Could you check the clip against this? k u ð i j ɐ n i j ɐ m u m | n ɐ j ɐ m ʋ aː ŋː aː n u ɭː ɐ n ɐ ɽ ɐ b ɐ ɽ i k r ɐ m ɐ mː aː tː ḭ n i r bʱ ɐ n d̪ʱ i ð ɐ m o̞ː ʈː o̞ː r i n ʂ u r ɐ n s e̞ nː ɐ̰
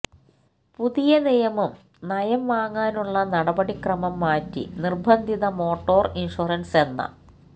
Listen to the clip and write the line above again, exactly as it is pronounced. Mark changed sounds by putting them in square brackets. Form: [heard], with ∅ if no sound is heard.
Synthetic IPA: [p] u ð i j ɐ n i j ɐ m u m | n ɐ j ɐ m ʋ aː ŋː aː n u ɭː ɐ n ɐ ɽ ɐ b ɐ ɽ i k r ɐ m ɐ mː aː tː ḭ n i r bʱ ɐ n d̪ʱ i ð ɐ m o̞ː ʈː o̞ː r i n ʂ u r ɐ n s e̞ nː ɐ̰